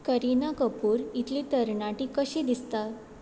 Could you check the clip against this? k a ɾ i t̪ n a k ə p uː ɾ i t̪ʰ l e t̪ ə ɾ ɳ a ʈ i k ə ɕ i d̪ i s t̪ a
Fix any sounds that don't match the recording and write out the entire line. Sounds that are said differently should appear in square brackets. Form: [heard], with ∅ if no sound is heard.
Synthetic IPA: k [ə] ɾ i [∅] n a k ə p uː ɾ i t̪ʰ l [i] t̪ ə ɾ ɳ a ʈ i k ə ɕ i d̪ i s t̪ a